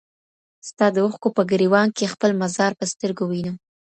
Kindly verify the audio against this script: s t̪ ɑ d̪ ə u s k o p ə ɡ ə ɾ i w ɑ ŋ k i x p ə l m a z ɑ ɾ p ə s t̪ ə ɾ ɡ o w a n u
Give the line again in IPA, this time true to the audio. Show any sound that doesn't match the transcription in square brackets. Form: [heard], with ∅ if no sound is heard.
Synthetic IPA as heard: s t̪ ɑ d̪ ə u [x] k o p ə ɡ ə ɾ i w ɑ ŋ k [e] x p ə l m a z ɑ ɾ p ə s t̪ ə ɾ ɡ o w [i] n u